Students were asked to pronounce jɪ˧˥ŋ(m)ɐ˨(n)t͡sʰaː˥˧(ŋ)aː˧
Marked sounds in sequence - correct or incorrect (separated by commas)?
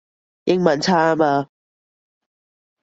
correct, correct, incorrect